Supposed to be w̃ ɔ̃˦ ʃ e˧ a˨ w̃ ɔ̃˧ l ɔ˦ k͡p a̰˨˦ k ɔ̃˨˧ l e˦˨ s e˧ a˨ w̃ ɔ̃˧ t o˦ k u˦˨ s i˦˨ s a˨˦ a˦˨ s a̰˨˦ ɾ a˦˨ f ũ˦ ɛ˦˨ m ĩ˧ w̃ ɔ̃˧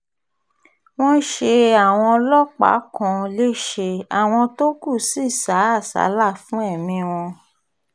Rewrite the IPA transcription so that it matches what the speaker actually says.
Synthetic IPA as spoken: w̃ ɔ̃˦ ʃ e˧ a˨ w̃ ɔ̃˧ l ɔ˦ k͡p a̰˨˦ k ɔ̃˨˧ l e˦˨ ʃ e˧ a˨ w̃ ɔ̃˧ t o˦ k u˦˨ s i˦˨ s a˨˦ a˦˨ s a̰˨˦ l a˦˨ f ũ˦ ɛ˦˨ m ĩ˧ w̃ ɔ̃˧